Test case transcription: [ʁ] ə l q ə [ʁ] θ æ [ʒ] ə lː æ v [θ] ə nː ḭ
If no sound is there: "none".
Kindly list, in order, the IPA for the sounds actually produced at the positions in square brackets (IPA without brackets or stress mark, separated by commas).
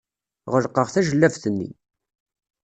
ʁ, ʁ, ʒ, θ